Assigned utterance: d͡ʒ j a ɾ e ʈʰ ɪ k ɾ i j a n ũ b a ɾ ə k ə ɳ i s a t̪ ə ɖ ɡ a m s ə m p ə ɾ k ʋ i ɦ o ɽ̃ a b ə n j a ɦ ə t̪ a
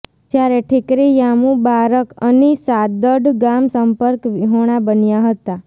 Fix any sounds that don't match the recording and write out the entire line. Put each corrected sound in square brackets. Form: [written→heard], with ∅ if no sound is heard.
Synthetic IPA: d͡ʒ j a ɾ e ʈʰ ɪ k ɾ i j a [n→m] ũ b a ɾ ə k ə [ɳ→n] i s a [t̪→d̪] ə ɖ ɡ a m s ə m p ə ɾ k ʋ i ɦ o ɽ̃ a b ə n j a ɦ ə t̪ a